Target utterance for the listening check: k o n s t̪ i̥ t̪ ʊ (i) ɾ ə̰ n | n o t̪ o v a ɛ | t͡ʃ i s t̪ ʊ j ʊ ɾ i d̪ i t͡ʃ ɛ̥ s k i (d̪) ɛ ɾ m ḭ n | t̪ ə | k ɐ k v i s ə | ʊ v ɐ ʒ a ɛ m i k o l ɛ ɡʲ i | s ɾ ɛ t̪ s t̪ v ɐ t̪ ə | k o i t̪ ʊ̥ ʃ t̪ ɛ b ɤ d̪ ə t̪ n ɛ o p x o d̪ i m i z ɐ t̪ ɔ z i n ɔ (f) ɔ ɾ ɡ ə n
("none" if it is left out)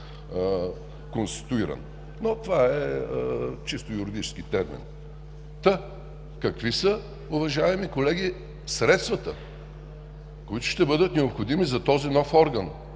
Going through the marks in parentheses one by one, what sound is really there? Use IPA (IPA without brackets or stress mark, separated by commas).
i, t̪, f